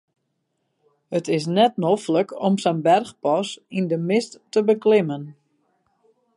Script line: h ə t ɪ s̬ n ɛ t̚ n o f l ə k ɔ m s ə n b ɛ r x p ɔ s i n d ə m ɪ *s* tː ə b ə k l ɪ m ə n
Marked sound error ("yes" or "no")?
no